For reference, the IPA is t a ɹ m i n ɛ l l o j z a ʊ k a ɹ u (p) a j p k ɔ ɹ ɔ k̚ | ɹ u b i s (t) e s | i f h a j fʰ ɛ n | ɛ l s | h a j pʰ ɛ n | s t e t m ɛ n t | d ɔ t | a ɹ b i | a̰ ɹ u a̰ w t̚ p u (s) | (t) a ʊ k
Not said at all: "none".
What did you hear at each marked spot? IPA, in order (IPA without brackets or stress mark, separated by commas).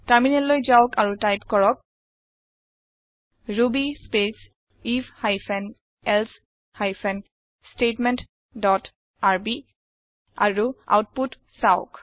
t, p, t, s